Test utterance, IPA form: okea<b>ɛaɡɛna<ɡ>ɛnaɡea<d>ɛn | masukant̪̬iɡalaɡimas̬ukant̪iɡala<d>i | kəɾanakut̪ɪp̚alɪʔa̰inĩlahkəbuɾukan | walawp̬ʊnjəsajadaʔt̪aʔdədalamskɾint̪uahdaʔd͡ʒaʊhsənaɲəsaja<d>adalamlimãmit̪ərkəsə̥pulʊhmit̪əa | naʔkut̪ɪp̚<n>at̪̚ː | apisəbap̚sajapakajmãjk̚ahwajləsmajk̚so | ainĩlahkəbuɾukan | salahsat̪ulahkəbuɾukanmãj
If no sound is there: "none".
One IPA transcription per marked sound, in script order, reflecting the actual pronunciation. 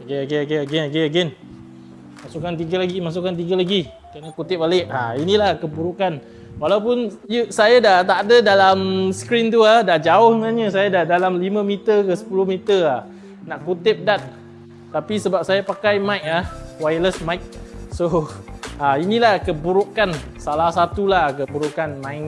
ɡ, ɡ, ɡ, ɡ, d, d

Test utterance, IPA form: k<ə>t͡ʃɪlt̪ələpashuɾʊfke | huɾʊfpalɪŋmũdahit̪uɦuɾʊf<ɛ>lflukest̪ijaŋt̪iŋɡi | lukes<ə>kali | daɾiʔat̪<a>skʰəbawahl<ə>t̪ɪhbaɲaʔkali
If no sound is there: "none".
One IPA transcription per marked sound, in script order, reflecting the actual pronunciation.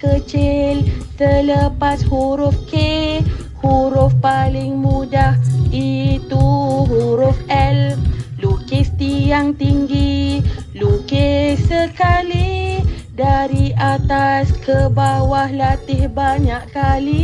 ə, ɛ, ə, a, a

